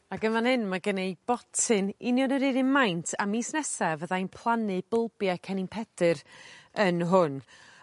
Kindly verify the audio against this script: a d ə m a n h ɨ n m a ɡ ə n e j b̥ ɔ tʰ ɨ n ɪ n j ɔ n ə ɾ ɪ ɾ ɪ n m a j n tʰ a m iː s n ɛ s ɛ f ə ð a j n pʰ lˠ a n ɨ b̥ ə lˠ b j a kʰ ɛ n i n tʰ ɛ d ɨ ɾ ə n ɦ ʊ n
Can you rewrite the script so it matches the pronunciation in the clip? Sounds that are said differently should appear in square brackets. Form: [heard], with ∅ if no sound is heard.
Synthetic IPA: a [ɡ] ə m a n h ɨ n m a ɡ ə n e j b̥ ɔ tʰ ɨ n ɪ n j ɔ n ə ɾ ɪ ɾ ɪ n m a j n tʰ a m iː s n ɛ s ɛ [v] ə ð a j n pʰ lˠ a n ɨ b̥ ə lˠ b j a kʰ ɛ n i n [pʰ] ɛ d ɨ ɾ ə n ɦ ʊ n

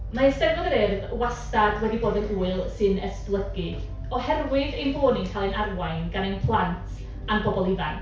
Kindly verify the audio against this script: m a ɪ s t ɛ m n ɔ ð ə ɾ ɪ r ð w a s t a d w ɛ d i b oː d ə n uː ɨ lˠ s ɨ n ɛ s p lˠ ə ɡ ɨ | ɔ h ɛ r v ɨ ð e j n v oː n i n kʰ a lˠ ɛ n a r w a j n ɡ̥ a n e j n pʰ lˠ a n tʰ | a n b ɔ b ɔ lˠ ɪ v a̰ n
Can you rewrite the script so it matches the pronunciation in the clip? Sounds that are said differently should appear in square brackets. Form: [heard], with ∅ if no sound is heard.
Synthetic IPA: m a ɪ s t ɛ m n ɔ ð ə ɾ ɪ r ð w a s t a d w ɛ d i b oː d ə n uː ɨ lˠ s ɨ n ɛ s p lˠ ə ɡ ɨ | ɔ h ɛ r [w] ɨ ð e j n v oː n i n kʰ a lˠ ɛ n a r w a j n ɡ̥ a n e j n pʰ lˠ a n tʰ | a n b ɔ b ɔ lˠ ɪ v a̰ n

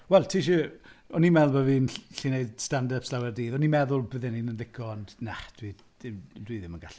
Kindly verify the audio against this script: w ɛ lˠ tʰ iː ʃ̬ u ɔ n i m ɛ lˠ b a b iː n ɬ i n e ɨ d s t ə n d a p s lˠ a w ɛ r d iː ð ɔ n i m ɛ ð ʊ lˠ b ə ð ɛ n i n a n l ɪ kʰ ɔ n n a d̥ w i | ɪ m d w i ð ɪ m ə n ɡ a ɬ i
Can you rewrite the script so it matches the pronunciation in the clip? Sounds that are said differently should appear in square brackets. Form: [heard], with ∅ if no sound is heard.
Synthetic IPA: w ɛ lˠ tʰ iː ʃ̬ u ɔ n i m ɛ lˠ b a [v] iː n ɬ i n e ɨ d s t [a] n d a p s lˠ a w ɛ r d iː ð ɔ n i m ɛ ð ʊ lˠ b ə ð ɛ n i n [ə] n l ɪ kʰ ɔ n n a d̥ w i | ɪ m d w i ð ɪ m ə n ɡ a ɬ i

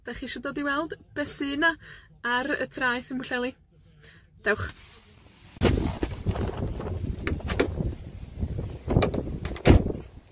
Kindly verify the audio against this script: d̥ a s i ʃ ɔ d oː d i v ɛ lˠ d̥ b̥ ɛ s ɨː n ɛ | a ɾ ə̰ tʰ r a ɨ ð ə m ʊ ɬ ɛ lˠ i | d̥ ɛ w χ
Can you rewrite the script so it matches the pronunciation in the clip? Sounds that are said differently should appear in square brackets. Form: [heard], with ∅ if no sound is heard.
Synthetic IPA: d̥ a [χ] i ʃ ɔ d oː d i [w] ɛ lˠ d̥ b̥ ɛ s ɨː n [a] | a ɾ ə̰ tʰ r a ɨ [θ] ə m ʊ ɬ ɛ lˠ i | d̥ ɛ w χ

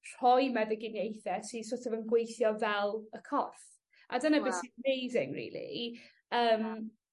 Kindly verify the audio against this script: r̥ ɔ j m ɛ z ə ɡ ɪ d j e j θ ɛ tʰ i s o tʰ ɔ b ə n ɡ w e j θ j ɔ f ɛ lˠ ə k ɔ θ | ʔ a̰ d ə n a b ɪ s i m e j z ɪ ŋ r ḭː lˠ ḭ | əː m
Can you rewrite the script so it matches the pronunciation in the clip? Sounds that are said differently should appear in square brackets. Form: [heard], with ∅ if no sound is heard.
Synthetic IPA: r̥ ɔ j m ɛ [ð] ə ɡ ɪ [n] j e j θ ɛ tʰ i s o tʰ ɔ [v] ə n ɡ w e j θ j ɔ [v] ɛ lˠ ə [kʰ] ɔ θ | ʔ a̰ d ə n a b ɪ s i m e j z ɪ ŋ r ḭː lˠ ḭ | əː m

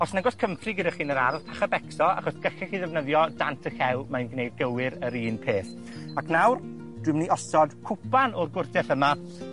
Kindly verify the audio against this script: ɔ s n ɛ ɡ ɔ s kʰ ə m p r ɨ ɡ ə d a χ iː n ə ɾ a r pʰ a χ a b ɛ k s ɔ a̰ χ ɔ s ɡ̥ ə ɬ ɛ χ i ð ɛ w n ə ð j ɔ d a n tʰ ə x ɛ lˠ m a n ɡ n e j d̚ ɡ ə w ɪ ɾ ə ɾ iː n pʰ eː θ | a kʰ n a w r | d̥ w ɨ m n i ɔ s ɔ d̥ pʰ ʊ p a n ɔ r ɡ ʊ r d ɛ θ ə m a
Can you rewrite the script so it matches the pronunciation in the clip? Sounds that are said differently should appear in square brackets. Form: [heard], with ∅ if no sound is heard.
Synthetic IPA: ɔ s n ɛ ɡ ɔ s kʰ ə m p r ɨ ɡ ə d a χ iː n ə ɾ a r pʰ a χ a b ɛ k s ɔ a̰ χ ɔ s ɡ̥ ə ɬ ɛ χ i ð ɛ [v] n ə ð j ɔ d a n tʰ ə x ɛ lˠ m a n ɡ n e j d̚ ɡ ə w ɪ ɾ ə ɾ iː n pʰ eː θ | a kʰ n a w r | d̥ w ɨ m n i ɔ s ɔ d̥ [kʰ] ʊ p a n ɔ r ɡ ʊ r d ɛ θ ə m a

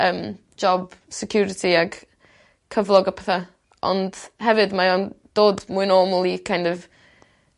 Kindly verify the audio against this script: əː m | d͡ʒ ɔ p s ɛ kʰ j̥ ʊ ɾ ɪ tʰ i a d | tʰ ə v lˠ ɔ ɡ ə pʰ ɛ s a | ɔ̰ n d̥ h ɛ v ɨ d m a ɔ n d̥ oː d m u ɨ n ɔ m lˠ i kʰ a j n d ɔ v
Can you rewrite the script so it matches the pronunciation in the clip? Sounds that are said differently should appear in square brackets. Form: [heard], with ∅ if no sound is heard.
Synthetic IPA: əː m | d͡ʒ ɔ [b] s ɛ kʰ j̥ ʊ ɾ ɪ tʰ i a [ɡ] | [kʰ] ə v lˠ ɔ ɡ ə pʰ ɛ [θ] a | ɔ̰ n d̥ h ɛ v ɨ d m a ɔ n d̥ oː d m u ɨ n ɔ m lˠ i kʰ a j n d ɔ v

